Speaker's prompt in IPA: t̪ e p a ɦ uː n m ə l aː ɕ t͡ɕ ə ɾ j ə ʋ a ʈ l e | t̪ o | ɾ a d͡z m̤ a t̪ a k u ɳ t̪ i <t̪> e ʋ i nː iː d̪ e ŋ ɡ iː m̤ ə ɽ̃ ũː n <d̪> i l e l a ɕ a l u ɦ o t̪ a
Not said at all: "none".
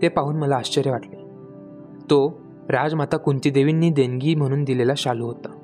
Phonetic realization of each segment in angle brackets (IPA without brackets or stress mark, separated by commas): d̪, d̪